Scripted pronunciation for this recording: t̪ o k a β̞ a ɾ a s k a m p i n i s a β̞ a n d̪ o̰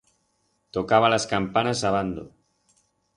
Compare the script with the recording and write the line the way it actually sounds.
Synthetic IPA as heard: t̪ o k a β̞ a l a s k a m p a n a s a β̞ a n d̪ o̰